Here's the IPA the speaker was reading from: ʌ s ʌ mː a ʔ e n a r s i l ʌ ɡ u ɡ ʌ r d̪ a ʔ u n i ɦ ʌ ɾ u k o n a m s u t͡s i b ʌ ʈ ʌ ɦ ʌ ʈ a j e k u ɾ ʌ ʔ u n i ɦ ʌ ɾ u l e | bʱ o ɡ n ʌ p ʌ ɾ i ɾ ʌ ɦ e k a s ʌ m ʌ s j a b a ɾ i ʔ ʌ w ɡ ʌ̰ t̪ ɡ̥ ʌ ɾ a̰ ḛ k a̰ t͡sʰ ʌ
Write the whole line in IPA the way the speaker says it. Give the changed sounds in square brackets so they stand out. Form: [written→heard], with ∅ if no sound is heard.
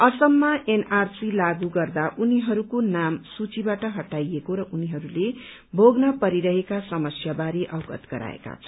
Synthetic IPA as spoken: ʌ s ʌ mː a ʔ e n a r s i l [ʌ→a] ɡ u ɡ ʌ r d̪ a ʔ u n i ɦ ʌ ɾ u k o n a m s u t͡s i b [ʌ→a] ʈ ʌ ɦ ʌ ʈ a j e k [u→o] ɾ ʌ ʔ u n i ɦ ʌ ɾ u l e | bʱ o ɡ n ʌ p ʌ ɾ i ɾ ʌ ɦ e k a s ʌ m ʌ s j a b a ɾ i ʔ ʌ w ɡ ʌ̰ t̪ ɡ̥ ʌ ɾ a̰ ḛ k a̰ t͡sʰ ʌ